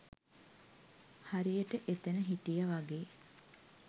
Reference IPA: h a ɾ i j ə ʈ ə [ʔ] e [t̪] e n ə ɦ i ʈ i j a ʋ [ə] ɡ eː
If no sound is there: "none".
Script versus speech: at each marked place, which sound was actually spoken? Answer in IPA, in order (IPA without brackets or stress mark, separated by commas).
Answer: ʔ, t̪, a